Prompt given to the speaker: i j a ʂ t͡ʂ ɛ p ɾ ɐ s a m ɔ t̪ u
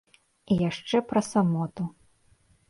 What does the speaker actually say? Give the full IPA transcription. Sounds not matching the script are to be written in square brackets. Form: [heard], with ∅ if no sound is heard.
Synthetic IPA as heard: i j a ʂ t͡ʂ ɛ p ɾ ɐ s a m ɔ t̪ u